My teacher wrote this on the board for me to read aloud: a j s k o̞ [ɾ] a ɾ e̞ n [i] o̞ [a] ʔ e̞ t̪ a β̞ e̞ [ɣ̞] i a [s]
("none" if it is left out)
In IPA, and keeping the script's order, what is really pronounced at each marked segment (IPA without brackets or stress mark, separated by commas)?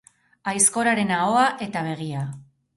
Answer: ɾ, a, a, ɣ̞, none